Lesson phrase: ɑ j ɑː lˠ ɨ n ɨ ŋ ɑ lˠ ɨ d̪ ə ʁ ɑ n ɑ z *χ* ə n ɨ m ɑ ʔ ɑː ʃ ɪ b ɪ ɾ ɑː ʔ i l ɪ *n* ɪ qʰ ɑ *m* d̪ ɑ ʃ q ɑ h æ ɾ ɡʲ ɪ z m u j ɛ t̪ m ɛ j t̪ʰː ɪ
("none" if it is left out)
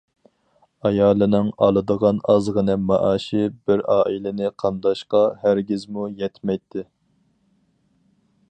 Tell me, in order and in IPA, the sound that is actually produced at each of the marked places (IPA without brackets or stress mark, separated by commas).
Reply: ʁ, n, n